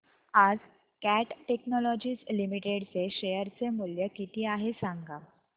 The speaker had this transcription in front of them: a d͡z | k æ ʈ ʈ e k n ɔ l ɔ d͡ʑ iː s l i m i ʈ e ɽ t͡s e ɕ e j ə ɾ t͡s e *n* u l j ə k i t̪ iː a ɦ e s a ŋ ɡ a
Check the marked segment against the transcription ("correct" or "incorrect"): incorrect